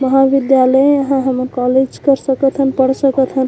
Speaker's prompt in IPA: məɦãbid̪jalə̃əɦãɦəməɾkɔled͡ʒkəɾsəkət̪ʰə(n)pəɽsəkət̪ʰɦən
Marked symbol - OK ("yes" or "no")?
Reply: yes